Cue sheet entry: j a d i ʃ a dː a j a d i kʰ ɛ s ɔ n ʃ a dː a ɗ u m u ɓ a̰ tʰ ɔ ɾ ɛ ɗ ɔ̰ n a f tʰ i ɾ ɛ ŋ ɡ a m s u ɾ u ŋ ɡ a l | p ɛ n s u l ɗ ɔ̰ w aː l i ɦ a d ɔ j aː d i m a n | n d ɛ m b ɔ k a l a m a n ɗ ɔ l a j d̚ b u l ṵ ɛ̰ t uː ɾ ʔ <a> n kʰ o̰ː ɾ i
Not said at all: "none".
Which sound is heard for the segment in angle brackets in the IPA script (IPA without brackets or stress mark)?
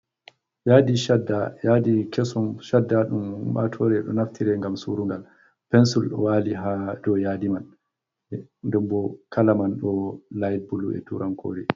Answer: a